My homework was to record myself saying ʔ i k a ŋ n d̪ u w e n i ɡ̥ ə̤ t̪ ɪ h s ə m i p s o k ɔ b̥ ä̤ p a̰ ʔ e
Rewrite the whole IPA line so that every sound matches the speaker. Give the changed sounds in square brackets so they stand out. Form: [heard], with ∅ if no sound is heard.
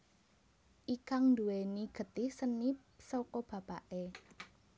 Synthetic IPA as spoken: ʔ i k a ŋ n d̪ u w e n i ɡ̥ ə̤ t̪ ɪ h s ə [n] i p s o k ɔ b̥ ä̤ p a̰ ʔ e